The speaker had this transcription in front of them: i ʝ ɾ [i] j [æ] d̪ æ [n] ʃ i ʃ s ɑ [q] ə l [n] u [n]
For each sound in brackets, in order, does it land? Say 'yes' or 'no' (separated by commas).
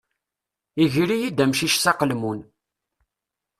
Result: yes, no, no, yes, no, yes